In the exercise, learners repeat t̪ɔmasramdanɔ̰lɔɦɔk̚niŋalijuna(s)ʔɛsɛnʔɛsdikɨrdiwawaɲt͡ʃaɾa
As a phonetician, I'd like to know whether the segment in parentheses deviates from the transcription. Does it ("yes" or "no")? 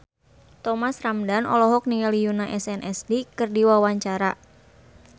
yes